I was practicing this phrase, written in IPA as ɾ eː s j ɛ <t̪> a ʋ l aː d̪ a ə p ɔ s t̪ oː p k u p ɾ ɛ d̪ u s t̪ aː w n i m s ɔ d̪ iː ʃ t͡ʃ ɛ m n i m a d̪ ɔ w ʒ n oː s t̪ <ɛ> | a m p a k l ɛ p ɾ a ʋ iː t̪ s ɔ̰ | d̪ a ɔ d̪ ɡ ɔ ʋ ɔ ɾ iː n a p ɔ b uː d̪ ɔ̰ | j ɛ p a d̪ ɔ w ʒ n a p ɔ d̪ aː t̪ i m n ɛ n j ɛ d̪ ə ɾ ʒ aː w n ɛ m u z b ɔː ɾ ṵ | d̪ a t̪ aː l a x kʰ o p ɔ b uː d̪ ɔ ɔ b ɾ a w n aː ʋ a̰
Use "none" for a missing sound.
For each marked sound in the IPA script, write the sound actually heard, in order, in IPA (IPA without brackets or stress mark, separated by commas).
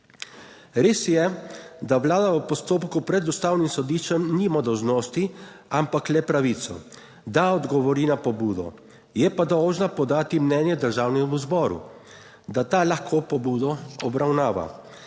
d̪, i